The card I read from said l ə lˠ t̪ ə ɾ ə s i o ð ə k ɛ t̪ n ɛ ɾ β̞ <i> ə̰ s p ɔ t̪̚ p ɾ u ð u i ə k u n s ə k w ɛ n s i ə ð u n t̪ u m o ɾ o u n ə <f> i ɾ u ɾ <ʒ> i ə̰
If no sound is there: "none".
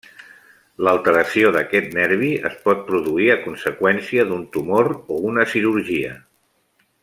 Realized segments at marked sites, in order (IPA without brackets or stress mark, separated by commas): i, s, ʒ